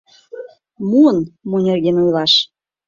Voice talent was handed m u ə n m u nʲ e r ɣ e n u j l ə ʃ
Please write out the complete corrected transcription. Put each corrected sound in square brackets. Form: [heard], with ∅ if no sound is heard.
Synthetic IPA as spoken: m u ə n m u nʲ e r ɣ e n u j l [ɑ] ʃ